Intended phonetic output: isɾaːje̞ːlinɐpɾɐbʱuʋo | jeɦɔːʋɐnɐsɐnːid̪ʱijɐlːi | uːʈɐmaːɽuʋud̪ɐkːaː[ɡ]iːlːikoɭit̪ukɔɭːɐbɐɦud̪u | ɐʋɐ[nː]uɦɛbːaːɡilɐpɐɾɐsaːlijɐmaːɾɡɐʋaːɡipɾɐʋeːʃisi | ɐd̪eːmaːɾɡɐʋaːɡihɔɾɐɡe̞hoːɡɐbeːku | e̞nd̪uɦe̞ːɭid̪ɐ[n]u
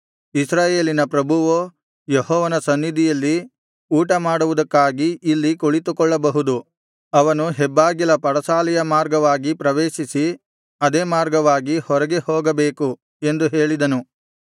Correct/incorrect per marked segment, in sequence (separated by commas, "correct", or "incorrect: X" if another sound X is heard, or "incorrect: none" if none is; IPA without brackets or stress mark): correct, incorrect: n, correct